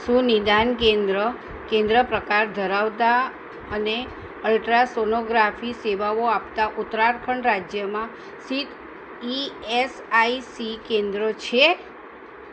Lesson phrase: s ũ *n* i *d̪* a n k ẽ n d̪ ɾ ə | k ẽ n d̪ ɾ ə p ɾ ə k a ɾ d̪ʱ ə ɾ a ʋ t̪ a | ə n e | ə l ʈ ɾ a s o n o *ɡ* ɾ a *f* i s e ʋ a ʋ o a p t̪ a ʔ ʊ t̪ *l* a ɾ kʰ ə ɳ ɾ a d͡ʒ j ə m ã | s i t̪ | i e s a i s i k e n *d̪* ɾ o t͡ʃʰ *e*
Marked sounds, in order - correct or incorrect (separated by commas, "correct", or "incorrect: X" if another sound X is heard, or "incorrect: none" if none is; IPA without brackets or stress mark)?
correct, correct, correct, correct, incorrect: ɾ, correct, correct